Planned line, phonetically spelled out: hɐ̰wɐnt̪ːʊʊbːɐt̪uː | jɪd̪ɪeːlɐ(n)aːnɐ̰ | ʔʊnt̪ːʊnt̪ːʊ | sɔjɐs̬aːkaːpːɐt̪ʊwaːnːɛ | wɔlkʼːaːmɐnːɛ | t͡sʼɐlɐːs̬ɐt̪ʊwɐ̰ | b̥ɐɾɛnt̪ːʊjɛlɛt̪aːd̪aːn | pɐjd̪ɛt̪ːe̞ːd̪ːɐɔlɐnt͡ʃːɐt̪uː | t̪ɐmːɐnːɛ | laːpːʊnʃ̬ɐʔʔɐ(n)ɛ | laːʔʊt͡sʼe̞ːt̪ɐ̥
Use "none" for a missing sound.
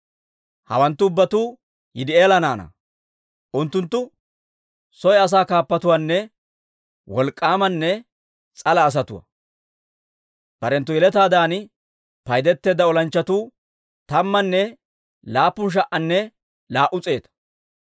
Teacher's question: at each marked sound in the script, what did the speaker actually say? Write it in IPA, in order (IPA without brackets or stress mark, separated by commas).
n, nː